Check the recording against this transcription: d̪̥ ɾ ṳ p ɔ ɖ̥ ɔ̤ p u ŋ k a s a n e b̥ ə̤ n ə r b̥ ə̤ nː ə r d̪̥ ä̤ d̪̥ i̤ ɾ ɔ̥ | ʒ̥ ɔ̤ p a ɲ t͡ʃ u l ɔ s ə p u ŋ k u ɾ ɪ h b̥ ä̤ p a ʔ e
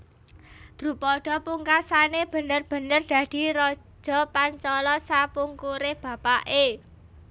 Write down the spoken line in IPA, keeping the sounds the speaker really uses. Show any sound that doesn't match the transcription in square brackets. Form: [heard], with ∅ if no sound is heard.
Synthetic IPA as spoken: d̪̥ ɾ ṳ p ɔ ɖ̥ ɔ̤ p u ŋ k a s a n e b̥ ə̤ n ə r b̥ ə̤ [n] ə r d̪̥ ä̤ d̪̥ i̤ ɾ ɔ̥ | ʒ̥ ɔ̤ p a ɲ t͡ʃ [ɔ] l ɔ s [a] p u ŋ k u ɾ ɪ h b̥ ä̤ p a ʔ e

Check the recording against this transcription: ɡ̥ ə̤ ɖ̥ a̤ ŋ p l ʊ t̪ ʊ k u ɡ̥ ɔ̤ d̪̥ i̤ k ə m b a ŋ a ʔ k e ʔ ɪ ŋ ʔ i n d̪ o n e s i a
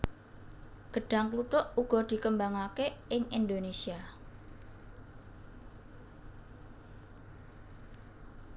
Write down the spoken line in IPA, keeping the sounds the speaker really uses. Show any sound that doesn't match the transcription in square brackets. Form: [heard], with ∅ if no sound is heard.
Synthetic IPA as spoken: ɡ̥ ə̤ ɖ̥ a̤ ŋ [k] l [u] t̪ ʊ [ʔ] u ɡ̥ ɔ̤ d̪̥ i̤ k ə m b a ŋ a [∅] k e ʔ ɪ ŋ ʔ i n d̪ o n e s i a

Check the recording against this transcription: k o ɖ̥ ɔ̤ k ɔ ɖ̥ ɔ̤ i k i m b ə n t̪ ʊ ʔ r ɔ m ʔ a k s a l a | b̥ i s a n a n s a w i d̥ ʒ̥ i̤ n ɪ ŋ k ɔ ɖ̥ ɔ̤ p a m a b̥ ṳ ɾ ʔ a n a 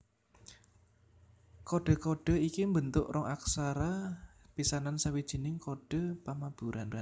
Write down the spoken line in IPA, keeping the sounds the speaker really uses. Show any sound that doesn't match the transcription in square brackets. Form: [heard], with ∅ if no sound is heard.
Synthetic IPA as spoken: k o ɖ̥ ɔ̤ k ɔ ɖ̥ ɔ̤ i k i m b ə n t̪ ʊ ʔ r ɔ [ŋ] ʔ a k s a [ɾ] a | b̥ i s a n a n s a w i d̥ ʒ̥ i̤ n ɪ ŋ k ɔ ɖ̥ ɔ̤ p a m a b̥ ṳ ɾ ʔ a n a

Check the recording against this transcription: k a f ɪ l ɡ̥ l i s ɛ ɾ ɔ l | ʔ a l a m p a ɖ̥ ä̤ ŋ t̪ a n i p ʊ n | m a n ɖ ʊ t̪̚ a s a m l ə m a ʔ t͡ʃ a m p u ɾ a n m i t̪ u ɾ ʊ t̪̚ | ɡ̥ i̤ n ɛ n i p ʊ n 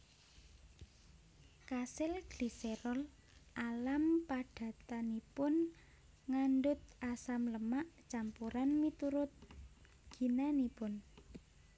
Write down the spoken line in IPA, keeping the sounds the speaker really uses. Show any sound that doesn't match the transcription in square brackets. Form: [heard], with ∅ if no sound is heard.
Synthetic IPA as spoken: k a [s] ɪ l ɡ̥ l i s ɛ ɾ ɔ l | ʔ a l a m p a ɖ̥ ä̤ [∅] t̪ a n i p ʊ n | [ŋ] a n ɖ ʊ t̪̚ a s a m l ə m a ʔ t͡ʃ a m p u ɾ a n m i t̪ u ɾ ʊ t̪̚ | ɡ̥ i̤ n [a] n i p ʊ n

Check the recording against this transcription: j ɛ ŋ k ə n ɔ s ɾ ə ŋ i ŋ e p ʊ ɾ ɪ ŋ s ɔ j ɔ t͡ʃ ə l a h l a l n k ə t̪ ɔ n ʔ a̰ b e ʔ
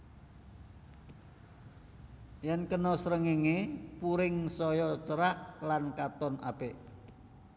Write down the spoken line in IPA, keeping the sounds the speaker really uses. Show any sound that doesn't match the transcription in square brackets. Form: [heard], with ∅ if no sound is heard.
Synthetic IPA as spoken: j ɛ [n] k ə n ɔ s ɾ ə ŋ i ŋ e p [u] ɾ ɪ ŋ s ɔ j ɔ t͡ʃ ə [ɾ] a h l a [∅] n k [a] t̪ ɔ n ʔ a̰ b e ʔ

